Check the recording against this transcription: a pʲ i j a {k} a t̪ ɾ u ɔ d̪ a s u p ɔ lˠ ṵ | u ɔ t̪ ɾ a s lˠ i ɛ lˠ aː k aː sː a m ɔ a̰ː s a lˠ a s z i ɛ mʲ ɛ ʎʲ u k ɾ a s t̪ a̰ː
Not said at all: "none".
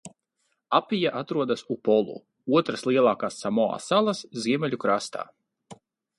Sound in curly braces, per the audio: ʔ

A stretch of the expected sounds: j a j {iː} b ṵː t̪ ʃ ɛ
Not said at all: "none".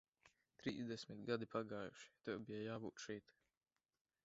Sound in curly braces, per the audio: aː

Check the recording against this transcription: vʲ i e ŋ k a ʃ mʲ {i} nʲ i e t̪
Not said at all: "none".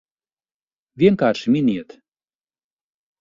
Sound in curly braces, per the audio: i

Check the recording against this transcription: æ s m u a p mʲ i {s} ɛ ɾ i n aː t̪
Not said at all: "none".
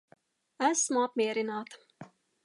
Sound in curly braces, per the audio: none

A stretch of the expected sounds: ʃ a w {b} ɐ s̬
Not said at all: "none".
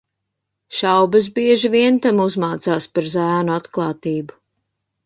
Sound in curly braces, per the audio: b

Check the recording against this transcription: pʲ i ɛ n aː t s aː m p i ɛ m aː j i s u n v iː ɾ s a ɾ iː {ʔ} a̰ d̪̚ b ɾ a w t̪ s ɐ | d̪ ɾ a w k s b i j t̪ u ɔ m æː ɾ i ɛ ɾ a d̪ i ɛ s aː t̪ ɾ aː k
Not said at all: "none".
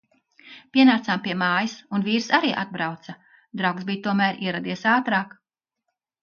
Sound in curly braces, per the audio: ʔ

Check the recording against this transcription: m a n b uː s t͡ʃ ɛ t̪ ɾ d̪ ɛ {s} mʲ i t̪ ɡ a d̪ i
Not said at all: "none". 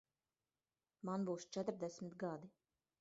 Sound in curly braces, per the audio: s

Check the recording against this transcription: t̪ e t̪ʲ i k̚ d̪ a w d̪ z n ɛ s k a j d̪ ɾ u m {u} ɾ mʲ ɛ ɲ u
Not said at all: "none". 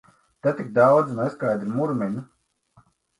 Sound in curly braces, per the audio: u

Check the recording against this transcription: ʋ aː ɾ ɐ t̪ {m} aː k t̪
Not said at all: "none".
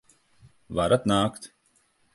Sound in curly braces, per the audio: n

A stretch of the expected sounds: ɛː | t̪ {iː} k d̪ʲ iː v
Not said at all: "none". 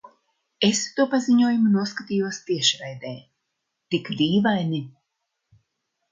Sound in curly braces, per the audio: i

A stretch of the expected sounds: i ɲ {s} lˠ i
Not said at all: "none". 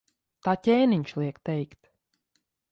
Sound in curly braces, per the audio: ʃ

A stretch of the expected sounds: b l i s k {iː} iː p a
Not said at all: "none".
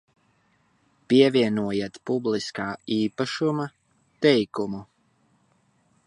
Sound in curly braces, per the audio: aː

